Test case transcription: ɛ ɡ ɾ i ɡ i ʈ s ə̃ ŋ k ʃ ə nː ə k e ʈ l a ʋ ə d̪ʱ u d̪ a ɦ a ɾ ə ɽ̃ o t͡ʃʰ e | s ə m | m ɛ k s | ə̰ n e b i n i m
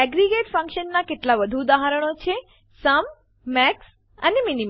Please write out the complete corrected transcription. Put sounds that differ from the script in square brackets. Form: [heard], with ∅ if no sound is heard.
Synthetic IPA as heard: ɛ ɡ ɾ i ɡ [e] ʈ [f] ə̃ ŋ k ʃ ə nː [a] k e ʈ l a ʋ ə d̪ʱ u d̪ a ɦ a ɾ ə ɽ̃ o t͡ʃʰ e | s ə m | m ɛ k s | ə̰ n e [m] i n i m